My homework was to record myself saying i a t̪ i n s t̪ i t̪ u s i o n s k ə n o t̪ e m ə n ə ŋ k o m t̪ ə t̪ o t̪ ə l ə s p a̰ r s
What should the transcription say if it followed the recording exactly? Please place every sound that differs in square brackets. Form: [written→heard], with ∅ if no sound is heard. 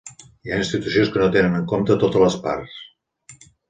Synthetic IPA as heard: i a [t̪→∅] i n s t̪ i t̪ u s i o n s k ə n o t̪ e [m→n] ə n ə ŋ k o m t̪ ə t̪ o t̪ ə l ə s p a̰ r s